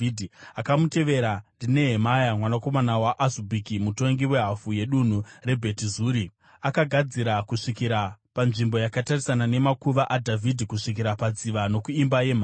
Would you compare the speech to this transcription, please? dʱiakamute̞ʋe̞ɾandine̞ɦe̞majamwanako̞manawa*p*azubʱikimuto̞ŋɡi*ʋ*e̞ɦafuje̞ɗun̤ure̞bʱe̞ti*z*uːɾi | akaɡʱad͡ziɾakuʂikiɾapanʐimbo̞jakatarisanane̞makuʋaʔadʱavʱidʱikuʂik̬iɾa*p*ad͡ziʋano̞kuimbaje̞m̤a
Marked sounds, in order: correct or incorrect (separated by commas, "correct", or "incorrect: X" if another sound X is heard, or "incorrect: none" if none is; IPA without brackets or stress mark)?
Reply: incorrect: ʔ, incorrect: w, correct, correct